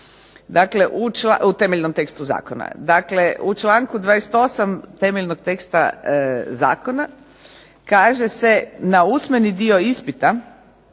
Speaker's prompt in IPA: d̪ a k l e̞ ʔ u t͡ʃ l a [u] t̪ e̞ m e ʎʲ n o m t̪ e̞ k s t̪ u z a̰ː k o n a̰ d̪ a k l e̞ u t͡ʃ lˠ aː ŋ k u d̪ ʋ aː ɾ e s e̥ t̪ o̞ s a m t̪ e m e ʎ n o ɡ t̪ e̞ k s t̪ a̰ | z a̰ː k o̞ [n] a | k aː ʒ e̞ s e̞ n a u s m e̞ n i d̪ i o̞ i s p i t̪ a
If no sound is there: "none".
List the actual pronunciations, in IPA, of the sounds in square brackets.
u, n

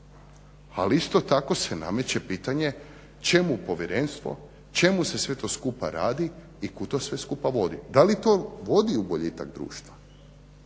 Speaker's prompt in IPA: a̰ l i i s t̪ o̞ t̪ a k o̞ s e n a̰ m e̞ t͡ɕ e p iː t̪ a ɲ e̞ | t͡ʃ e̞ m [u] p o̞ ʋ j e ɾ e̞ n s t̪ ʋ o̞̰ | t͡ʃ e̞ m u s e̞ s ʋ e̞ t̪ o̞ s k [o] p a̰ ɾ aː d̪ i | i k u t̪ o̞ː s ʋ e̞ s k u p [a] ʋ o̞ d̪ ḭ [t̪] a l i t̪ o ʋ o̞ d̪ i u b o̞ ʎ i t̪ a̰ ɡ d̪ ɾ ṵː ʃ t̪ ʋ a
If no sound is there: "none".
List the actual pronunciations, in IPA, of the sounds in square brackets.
u, u, a, d̪

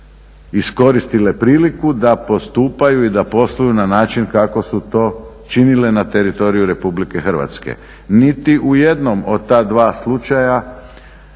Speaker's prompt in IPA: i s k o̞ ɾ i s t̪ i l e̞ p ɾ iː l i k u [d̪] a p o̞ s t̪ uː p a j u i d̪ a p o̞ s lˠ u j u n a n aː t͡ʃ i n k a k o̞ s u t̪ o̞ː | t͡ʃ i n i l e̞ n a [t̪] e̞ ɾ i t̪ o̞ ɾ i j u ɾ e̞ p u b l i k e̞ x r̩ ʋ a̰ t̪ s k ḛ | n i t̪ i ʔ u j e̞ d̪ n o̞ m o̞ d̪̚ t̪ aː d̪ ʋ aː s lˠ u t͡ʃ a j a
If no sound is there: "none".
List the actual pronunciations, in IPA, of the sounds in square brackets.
d̪, t̪

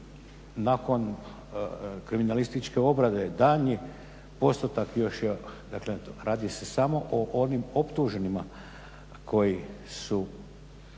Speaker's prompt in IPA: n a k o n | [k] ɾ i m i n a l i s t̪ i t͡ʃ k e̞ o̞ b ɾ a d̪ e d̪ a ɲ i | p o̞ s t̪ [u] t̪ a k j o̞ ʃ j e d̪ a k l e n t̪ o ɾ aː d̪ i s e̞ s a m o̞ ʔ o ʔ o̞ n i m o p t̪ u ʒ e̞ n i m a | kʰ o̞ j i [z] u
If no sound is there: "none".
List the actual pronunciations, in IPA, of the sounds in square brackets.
k, o, s

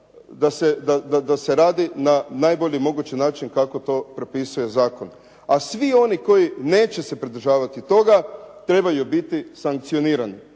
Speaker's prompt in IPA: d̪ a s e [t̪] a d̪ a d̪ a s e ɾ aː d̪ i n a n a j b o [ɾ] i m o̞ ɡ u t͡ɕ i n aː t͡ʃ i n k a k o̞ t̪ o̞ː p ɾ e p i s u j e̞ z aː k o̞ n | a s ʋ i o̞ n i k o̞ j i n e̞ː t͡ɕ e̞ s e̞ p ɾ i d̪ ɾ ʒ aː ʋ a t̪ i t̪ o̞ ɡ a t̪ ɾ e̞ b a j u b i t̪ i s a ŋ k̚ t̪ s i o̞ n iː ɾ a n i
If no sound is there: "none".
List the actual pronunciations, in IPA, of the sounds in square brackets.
d̪, ʎ

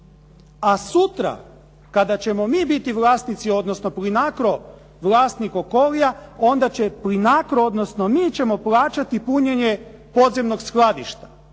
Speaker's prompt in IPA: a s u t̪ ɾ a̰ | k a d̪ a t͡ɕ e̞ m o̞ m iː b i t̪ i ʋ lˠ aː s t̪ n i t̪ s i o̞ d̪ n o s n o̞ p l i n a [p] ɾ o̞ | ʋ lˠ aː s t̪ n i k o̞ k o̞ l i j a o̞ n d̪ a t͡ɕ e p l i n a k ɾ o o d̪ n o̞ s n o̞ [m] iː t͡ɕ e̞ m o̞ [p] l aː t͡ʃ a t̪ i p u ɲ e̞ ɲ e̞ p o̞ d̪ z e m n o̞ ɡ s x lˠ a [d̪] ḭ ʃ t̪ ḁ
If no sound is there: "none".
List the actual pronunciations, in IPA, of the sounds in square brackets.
k, m, p, d̪

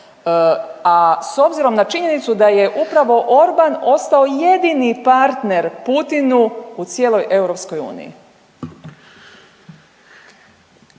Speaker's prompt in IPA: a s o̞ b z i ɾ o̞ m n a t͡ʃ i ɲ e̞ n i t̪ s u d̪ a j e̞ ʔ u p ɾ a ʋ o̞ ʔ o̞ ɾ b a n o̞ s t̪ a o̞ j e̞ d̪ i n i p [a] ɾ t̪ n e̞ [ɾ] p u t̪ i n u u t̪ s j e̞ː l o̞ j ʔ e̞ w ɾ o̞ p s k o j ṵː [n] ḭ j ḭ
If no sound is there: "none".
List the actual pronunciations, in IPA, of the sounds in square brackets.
a, ɾ, n

